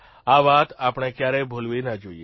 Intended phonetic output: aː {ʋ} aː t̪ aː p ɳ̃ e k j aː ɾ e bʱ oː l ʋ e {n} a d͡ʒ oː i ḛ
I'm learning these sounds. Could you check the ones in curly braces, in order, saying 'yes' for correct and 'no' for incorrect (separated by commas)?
yes, yes